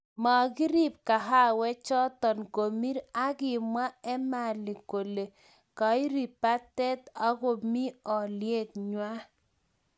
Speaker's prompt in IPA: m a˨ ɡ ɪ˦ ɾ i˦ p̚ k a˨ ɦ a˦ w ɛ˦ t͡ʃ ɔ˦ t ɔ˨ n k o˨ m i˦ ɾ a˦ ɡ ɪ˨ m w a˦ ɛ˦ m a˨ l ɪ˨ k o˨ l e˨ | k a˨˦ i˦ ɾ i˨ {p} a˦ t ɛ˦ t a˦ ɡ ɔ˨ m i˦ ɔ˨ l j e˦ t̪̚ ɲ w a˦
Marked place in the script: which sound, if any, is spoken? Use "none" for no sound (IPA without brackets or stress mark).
p